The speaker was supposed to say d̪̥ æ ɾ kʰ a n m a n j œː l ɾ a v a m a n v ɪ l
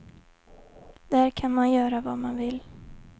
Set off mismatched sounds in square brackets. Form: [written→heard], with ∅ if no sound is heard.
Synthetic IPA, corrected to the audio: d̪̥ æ ɾ kʰ a n m a n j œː [l→∅] ɾ a v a m a n v ɪ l